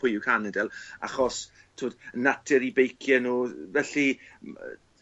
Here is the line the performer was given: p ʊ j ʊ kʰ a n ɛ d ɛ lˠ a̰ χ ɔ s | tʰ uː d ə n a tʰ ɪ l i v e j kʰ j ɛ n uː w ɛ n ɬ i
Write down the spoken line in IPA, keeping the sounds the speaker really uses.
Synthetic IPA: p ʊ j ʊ kʰ a n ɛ d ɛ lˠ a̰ χ ɔ s | tʰ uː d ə n a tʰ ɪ ɾ i b e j kʰ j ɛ n uː v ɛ ɬ i